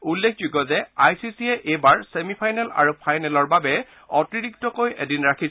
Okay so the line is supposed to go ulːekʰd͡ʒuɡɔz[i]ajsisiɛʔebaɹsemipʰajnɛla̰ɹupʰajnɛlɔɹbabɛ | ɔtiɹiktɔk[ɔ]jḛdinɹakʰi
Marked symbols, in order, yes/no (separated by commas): no, no